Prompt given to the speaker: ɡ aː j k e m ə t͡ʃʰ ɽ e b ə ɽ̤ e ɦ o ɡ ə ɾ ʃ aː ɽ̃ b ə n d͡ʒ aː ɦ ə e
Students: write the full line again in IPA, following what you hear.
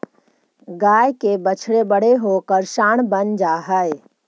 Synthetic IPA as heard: ɡ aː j k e b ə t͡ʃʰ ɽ e b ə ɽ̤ e ɦ o k ə ɾ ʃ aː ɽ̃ b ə n d͡ʒ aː ɦ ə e